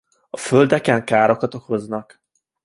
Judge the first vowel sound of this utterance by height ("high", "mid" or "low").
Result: low